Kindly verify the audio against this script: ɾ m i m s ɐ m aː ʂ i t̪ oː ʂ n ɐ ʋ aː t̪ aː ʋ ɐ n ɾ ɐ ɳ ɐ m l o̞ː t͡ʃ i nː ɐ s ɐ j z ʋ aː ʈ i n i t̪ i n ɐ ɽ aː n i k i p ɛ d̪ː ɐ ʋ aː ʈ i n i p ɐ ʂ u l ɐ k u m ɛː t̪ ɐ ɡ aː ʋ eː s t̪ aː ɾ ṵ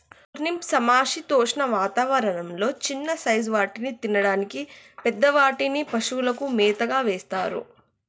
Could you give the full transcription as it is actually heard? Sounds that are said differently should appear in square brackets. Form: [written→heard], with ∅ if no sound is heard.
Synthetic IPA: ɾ [m→n] i m s ɐ m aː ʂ i t̪ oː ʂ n ɐ ʋ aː t̪ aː ʋ ɐ [n→∅] ɾ ɐ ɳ ɐ m l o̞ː t͡ʃ i nː ɐ s ɐ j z ʋ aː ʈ i n i t̪ i n ɐ ɽ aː n i k i p ɛ d̪ː ɐ ʋ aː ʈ i n i p ɐ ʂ u l ɐ k u m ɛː t̪ ɐ ɡ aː ʋ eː s t̪ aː ɾ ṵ

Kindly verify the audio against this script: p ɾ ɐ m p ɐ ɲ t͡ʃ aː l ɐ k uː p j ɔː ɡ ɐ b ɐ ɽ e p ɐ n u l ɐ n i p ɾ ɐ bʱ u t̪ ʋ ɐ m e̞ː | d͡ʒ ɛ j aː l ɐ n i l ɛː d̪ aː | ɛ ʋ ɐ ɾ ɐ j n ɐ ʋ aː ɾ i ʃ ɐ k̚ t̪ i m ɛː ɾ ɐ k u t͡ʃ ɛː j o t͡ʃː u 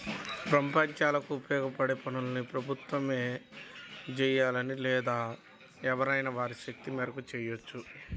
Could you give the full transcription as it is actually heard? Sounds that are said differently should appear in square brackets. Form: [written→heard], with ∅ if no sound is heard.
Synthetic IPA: p ɾ ɐ m p ɐ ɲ t͡ʃ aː l ɐ k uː p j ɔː ɡ ɐ [b→p] ɐ ɽ e p ɐ n u l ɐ n i p ɾ ɐ bʱ u t̪ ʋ ɐ m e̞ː | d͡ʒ ɛ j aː l ɐ n i l ɛː d̪ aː | ɛ ʋ ɐ ɾ ɐ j n ɐ ʋ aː ɾ i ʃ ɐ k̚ t̪ i m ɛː ɾ ɐ k u t͡ʃ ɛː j o t͡ʃː u

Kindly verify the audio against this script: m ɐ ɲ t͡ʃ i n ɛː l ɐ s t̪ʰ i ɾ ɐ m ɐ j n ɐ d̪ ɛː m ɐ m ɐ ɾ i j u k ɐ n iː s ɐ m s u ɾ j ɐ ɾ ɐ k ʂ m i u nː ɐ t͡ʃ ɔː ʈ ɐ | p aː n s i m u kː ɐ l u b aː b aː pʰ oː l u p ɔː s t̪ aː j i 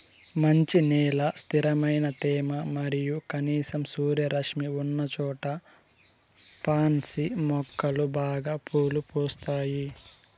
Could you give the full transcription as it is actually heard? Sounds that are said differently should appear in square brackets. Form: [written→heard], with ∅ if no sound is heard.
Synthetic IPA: m ɐ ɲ t͡ʃ i n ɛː l ɐ s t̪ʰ i ɾ ɐ m ɐ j n ɐ [d̪→t̪] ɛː m ɐ m ɐ ɾ i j u k ɐ n iː s ɐ m s [u→uː] ɾ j ɐ ɾ ɐ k ʂ m i u nː ɐ t͡ʃ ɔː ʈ ɐ | p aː n s i m [u→ɔ] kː ɐ l u b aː [b→ɡ] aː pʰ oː l u p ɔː s t̪ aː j i

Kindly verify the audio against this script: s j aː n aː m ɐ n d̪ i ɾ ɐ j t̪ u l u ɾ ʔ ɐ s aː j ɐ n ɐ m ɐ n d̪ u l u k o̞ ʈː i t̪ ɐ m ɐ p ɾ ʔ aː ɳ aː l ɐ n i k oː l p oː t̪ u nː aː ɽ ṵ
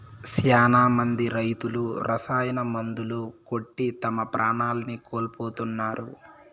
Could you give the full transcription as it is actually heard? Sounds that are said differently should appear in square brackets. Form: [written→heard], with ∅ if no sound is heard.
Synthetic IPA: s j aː n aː m ɐ n d̪ i ɾ ɐ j t̪ u l u ɾ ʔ ɐ s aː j ɐ n ɐ m ɐ n d̪ u l u k o̞ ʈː i t̪ ɐ m ɐ p ɾ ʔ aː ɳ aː l ɐ n i k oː l p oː t̪ u nː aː [ɽ→ɾ] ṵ

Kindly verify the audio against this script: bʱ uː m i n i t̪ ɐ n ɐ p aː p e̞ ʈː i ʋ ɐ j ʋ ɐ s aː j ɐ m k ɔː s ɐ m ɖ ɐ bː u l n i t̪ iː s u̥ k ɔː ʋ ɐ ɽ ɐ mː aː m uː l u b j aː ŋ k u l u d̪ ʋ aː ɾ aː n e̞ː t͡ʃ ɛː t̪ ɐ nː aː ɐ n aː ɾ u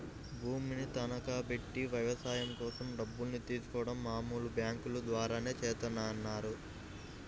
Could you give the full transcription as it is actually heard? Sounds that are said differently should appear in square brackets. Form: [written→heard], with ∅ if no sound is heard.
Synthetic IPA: bʱ uː m i n i t̪ ɐ n ɐ [p→k] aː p e̞ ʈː i ʋ ɐ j ʋ ɐ s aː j ɐ m k ɔː s ɐ m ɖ ɐ bː u l n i t̪ iː s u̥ k ɔː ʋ ɐ ɽ ɐ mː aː m uː l u b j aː ŋ k u l u d̪ ʋ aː ɾ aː n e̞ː t͡ʃ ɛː t̪ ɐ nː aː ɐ [n→nː] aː ɾ u

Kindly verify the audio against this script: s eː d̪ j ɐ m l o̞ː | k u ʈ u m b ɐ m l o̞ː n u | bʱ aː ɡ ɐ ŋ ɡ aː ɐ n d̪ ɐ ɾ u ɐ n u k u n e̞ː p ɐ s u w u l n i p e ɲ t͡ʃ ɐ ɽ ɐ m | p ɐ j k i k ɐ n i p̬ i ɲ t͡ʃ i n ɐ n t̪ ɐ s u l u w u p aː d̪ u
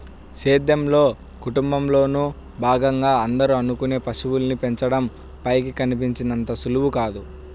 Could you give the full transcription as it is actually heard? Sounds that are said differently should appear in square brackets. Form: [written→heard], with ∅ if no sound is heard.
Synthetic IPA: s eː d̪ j ɐ m l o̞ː | k u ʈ u m b ɐ m l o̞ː n u | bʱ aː ɡ ɐ ŋ ɡ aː ɐ n d̪ ɐ ɾ u ɐ n u k u n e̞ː p ɐ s u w u l n i p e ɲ t͡ʃ ɐ ɽ ɐ m | p ɐ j k i k ɐ n i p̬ i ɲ t͡ʃ i n ɐ n t̪ ɐ s u l u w u [p→k] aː d̪ u

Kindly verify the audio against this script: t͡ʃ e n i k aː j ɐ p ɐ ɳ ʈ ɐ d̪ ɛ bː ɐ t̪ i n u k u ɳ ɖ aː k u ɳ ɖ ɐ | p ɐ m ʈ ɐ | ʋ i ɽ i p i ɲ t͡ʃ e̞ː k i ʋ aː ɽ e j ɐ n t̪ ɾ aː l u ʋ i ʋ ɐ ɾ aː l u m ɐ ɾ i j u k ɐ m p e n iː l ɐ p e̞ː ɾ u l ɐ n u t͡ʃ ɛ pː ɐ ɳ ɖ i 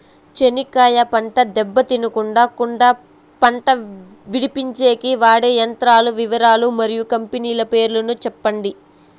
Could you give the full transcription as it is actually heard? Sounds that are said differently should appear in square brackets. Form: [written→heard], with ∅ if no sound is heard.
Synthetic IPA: t͡ʃ e n i k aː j ɐ p ɐ ɳ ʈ ɐ d̪ ɛ bː ɐ t̪ i n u k u ɳ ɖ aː k u ɳ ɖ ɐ | p ɐ [m→ɳ] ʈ ɐ | ʋ i ɽ i p i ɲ t͡ʃ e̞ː k i ʋ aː ɽ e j ɐ n t̪ ɾ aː l u ʋ i ʋ ɐ ɾ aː l u m ɐ ɾ i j u k ɐ m p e n iː l ɐ p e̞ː ɾ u l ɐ n u t͡ʃ ɛ pː ɐ ɳ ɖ i

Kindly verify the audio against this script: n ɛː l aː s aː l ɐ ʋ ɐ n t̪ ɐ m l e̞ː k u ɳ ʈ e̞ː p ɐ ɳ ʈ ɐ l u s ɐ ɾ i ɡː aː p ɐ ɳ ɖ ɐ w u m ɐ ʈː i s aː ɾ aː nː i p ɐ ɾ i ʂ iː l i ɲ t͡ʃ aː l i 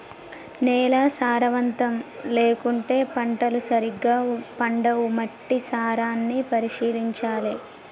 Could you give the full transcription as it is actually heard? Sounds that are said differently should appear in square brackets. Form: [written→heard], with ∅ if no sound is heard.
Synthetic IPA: n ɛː l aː s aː [l→ɾ] ɐ ʋ ɐ n t̪ ɐ m l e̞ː k u ɳ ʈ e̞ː p ɐ ɳ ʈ ɐ l u s ɐ ɾ i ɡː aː p ɐ ɳ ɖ ɐ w u m ɐ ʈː i s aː ɾ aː nː i p ɐ ɾ i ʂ iː l i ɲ t͡ʃ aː l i

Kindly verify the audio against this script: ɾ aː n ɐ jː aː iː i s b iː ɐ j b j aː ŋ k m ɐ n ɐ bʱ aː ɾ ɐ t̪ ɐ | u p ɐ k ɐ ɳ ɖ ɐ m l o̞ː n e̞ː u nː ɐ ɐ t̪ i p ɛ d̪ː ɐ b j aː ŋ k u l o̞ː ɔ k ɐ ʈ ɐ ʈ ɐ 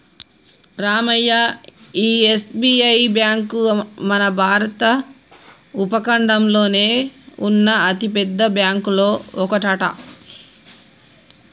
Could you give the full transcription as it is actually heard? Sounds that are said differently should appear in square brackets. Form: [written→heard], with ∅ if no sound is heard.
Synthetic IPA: ɾ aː [n→m] ɐ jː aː iː [i→e] s b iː ɐ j b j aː ŋ k m ɐ n ɐ bʱ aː ɾ ɐ t̪ ɐ | u p ɐ k ɐ ɳ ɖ ɐ m l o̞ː n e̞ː u nː ɐ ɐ t̪ i p ɛ d̪ː ɐ b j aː ŋ k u l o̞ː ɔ k ɐ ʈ ɐ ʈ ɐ

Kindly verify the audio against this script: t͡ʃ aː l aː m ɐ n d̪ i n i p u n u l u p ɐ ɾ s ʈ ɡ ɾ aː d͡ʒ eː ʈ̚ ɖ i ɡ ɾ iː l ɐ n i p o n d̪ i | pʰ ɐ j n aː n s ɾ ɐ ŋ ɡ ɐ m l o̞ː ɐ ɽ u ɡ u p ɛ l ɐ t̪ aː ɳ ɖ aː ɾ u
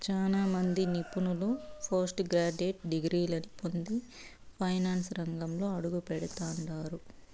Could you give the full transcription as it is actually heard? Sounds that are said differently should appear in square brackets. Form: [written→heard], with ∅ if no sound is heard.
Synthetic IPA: t͡ʃ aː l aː m ɐ n d̪ i n i p u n u l u [p→pʰ] ɐ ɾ s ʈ ɡ ɾ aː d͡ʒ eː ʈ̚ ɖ i ɡ ɾ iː l ɐ n i p o n d̪ i | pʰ ɐ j n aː n s ɾ ɐ ŋ ɡ ɐ m l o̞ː ɐ ɽ u ɡ u p ɛ [l→ɽ] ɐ t̪ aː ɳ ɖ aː ɾ u

